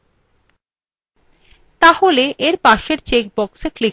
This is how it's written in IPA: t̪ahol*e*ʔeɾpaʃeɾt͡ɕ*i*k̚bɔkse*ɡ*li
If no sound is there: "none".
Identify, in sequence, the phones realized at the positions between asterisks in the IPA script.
e, e, k

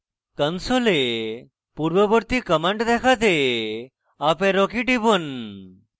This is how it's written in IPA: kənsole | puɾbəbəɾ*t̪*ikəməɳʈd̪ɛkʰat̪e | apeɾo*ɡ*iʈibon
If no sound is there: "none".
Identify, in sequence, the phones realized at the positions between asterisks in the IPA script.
t̪, k

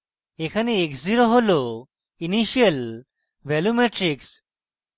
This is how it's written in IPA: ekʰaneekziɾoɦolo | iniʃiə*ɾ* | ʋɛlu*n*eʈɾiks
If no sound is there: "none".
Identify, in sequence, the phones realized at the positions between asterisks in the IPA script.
l, m

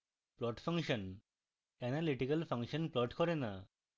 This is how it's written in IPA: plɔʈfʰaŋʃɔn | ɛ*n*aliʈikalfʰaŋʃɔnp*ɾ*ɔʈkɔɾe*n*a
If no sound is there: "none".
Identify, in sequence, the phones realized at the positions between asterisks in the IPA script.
n, l, n

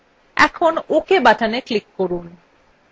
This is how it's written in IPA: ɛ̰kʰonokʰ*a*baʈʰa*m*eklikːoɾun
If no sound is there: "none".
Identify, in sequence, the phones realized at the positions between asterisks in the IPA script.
e, n

